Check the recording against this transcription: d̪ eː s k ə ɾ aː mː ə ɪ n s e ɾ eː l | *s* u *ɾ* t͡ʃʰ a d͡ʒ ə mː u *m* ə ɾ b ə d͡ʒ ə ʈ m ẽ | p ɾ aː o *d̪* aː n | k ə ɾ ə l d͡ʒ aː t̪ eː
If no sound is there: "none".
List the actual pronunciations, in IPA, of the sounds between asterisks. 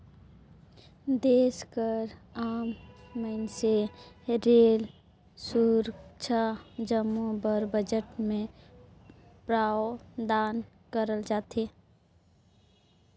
s, ɾ, b, d̪

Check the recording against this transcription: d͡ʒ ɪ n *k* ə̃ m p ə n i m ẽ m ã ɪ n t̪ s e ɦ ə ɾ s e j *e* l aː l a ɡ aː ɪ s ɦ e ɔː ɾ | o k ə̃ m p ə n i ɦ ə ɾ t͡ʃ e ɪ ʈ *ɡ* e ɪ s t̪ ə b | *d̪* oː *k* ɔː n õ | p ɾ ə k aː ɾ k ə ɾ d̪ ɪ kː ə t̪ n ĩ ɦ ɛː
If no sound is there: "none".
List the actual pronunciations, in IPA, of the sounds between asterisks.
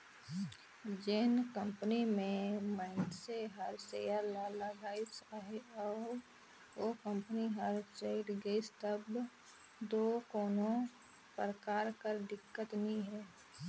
k, a, ɡ, d̪, k

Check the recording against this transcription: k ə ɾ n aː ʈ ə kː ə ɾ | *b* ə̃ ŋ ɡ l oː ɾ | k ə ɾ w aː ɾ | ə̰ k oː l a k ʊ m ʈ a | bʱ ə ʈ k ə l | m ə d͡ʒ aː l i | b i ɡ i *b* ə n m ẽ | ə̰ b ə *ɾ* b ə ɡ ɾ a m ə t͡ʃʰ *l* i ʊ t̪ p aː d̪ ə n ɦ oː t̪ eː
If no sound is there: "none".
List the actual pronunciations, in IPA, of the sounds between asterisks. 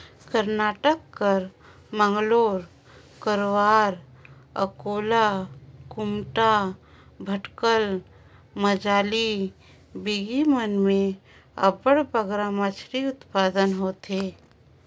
m, m, ɽ, ɾ

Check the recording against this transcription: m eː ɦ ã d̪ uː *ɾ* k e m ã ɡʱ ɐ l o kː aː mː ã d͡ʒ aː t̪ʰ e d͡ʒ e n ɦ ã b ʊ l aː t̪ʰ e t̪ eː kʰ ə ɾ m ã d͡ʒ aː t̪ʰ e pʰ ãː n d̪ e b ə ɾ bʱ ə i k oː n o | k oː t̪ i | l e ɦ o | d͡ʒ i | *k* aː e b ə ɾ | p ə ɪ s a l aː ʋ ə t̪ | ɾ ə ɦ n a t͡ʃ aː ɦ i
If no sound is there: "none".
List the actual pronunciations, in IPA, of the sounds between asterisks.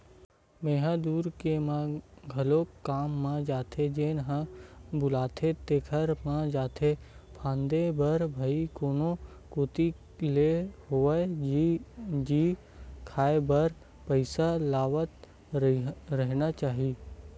ɾ, kʰ

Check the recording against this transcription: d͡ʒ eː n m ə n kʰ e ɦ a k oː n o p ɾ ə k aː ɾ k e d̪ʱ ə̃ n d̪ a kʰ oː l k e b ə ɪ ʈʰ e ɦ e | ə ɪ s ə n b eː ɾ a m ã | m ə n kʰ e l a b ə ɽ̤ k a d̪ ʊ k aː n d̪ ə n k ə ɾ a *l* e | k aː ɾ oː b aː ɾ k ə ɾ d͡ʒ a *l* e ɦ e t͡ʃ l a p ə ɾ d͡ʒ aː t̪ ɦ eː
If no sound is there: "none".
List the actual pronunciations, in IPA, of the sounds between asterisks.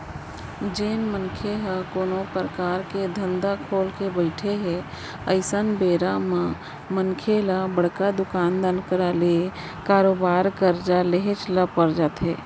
l, l

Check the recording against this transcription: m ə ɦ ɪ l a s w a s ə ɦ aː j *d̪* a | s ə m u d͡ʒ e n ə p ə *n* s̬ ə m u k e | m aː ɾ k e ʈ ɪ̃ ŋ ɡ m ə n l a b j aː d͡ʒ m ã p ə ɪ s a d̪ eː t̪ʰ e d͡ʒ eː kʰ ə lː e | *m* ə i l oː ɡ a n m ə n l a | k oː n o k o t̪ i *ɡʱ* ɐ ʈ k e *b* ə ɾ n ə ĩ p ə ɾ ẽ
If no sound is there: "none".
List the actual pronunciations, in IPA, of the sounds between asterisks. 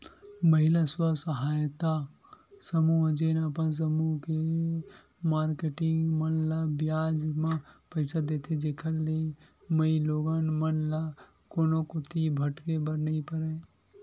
t̪, n, m, bʱ, b

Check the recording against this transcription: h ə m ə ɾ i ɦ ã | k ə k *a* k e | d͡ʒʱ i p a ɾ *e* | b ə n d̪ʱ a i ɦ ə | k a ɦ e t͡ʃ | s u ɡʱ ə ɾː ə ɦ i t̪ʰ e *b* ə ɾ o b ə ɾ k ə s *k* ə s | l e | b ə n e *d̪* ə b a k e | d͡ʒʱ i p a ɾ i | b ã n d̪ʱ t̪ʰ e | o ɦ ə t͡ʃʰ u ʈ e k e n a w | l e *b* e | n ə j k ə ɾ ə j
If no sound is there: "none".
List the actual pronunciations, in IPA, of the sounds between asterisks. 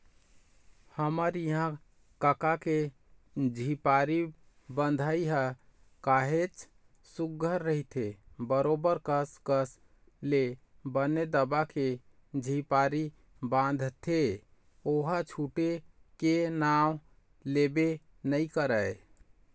a, i, b, k, d̪, b

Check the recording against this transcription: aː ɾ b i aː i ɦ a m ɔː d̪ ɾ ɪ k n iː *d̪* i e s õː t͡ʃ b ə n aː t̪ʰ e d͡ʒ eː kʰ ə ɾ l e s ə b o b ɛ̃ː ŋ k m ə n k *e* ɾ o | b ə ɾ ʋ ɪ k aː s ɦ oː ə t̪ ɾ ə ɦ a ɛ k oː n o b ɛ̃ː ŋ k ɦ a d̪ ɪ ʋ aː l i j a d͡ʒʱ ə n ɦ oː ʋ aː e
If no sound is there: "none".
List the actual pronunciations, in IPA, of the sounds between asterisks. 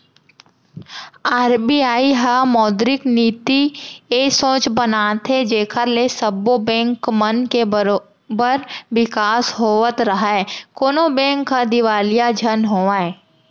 t̪, e

